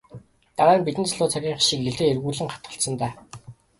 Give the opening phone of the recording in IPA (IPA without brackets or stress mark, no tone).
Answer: t̪